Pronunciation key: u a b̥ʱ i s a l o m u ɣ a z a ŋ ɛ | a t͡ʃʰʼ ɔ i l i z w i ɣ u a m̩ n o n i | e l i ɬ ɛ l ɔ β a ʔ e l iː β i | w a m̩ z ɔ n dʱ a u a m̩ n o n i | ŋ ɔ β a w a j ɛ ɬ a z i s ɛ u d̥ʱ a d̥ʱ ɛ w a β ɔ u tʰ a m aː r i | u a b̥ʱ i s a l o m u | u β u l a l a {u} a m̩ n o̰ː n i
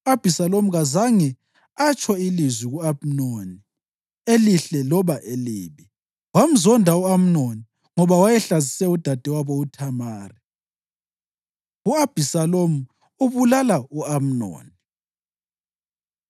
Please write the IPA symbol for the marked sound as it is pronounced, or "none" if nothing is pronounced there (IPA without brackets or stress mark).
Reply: u